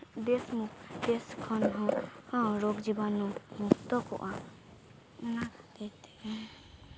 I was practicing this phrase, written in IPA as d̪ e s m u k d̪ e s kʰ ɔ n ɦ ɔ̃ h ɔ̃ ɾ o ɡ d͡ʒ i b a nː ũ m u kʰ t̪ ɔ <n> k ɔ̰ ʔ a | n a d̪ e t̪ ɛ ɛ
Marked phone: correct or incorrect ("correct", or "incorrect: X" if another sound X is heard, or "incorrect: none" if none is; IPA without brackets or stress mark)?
incorrect: none